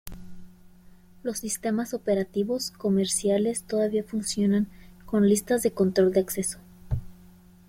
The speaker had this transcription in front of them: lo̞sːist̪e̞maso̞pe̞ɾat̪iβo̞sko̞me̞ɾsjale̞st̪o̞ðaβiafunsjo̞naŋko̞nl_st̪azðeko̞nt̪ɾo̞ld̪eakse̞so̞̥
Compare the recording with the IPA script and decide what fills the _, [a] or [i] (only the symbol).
i